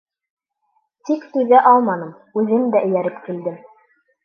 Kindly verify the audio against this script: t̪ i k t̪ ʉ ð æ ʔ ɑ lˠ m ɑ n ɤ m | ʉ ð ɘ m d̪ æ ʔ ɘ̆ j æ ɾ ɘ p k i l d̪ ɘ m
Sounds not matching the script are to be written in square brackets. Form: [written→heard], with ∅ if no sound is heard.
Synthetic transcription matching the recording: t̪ i k t̪ ʉ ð æ ʔ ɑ lˠ m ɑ n ɤ m | ʉ ð ɘ m d̪ æ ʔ ɘ̆ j æ ɾ ɘ p k i l d̪ ɘ m